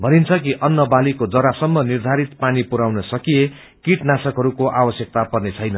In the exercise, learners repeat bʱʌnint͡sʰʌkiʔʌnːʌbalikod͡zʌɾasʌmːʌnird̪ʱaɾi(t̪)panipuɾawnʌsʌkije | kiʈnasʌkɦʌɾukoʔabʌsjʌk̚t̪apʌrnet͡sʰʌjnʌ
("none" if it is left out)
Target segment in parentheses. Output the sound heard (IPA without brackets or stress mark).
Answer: t̪